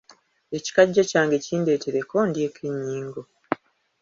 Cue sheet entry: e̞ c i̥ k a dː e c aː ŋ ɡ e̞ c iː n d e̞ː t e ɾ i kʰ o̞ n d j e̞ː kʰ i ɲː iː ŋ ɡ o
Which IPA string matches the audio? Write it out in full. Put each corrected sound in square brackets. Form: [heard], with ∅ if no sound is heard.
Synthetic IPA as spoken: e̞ c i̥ k a [ɟː] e c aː ŋ ɡ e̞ c iː n d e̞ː t e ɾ [e] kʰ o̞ n d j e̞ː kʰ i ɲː iː ŋ ɡ o

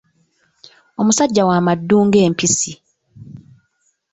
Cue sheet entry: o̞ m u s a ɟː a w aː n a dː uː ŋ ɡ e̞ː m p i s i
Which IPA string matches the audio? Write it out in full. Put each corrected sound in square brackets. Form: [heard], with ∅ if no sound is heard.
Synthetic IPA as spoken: o̞ m u s a ɟː a w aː [m] a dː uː ŋ ɡ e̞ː m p i s i

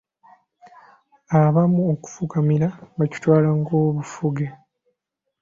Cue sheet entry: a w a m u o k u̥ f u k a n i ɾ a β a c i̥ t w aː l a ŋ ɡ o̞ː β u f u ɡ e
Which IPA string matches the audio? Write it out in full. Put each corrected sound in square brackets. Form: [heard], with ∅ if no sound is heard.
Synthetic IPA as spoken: a [β] a m u o k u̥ f u k a [m] i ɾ a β a c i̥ t w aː l a ŋ ɡ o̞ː β u f u ɡ e

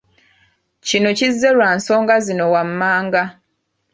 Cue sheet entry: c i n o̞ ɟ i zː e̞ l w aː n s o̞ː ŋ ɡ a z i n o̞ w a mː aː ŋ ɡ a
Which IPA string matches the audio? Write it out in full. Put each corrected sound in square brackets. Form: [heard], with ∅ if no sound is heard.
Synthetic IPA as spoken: c i n o̞ [c] i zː e̞ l w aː n s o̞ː ŋ ɡ a z i n o̞ w a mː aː ŋ ɡ a

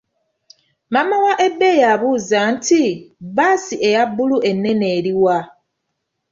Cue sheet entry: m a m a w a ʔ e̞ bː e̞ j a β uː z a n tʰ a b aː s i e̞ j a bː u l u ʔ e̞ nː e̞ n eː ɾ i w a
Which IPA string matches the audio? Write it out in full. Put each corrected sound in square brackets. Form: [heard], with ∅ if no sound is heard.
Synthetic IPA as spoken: m a m a w a ʔ e̞ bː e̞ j a β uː z a n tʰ [i] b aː s i e̞ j a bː u l u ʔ e̞ nː e̞ n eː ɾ i w a

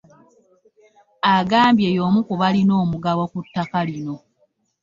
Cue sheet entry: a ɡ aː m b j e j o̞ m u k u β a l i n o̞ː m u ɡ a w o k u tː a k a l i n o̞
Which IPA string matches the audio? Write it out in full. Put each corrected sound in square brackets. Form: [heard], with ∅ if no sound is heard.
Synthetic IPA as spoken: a ɡ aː m b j e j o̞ m u k u β a l i n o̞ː m u ɡ a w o k u tː a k a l i n o̞

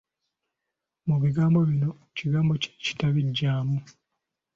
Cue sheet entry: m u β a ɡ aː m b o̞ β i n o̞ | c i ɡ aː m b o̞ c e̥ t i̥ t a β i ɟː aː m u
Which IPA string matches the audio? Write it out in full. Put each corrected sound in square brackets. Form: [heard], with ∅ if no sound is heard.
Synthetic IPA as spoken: m u β [i] ɡ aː m b o̞ β i n o̞ | c i ɡ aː m b o̞ c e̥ [c] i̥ t a β i ɟː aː m u

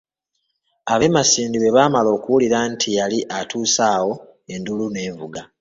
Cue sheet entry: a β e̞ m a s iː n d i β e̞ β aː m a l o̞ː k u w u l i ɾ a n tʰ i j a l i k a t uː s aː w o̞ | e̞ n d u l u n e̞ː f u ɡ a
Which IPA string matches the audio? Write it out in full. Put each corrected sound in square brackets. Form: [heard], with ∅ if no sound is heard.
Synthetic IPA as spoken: a β e̞ m a s iː n d i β e̞ β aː m a l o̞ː k u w u l i ɾ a n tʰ i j a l i [ʔ] a t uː s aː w o̞ | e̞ n d u l u n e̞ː [v] u ɡ a

